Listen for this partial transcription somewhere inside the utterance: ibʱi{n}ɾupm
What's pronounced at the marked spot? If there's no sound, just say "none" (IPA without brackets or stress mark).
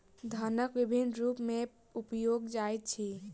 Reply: n